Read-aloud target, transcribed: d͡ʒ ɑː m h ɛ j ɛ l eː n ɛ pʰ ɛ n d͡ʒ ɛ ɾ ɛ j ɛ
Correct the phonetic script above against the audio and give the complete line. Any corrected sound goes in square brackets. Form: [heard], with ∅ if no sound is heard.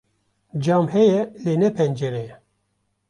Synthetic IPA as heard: d͡ʒ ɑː m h ɛ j ɛ l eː n ɛ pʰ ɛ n d͡ʒ ɛ ɾ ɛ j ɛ